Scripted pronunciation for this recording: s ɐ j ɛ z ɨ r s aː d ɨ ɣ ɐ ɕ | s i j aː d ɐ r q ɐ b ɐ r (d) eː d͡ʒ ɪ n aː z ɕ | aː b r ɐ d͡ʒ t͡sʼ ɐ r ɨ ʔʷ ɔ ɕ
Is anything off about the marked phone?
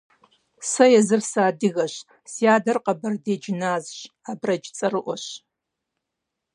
no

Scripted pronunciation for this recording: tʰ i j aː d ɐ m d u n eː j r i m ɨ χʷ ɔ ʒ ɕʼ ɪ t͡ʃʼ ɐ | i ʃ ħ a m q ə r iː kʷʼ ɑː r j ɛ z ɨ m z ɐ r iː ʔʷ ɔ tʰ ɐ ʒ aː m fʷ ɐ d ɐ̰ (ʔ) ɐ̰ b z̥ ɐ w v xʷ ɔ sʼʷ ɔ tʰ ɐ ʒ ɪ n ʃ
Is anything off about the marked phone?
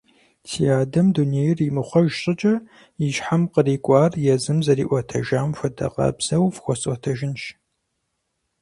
yes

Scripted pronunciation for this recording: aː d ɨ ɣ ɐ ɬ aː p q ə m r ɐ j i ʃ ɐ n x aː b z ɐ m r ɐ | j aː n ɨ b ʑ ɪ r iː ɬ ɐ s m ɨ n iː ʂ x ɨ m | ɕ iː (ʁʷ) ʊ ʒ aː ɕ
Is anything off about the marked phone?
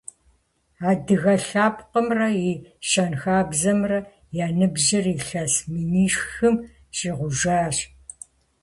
no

